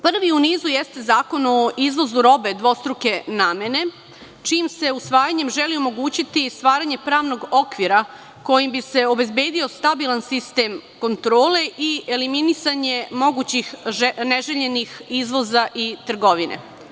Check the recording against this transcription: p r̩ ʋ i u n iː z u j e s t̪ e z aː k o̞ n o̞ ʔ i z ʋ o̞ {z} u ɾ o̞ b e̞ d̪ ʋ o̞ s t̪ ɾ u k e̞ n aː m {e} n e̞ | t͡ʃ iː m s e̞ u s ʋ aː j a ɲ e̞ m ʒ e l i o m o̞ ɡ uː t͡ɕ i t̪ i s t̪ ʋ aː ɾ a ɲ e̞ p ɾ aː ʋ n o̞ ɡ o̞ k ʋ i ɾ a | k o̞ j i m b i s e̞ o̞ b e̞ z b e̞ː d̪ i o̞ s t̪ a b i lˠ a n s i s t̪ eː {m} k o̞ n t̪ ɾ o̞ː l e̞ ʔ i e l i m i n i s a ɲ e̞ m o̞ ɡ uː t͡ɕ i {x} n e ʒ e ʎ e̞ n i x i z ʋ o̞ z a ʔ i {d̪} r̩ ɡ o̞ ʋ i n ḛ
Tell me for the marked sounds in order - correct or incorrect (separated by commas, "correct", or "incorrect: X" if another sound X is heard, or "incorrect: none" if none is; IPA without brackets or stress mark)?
correct, correct, correct, correct, incorrect: t̪